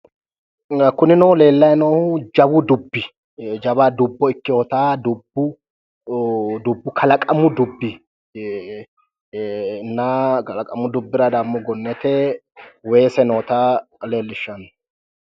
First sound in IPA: k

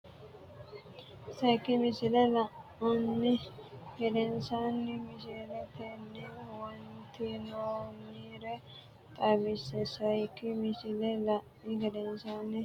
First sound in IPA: s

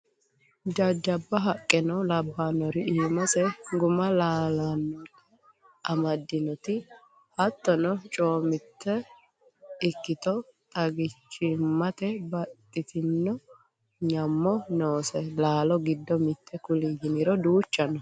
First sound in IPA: d͡ʒ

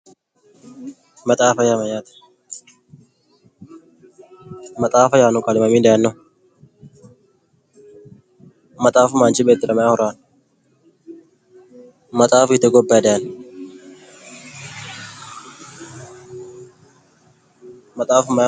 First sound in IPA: m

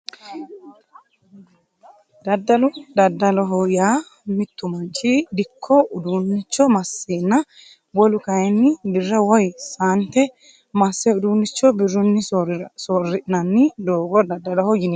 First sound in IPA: d̪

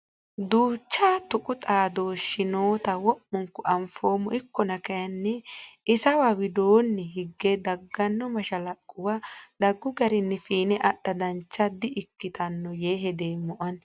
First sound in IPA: d̪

